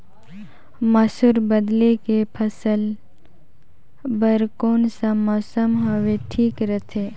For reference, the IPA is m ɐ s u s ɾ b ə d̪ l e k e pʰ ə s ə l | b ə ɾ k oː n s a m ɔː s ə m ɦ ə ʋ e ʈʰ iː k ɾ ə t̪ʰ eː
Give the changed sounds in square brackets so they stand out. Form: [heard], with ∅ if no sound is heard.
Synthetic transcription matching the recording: m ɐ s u [∅] ɾ b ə d̪ l e k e pʰ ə s ə l | b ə ɾ k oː n s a m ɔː s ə m ɦ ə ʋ e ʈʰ iː k ɾ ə t̪ʰ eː